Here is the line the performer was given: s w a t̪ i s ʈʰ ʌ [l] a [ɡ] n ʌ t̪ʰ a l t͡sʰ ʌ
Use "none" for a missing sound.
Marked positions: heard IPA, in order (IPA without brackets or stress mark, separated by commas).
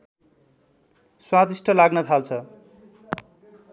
l, ɡ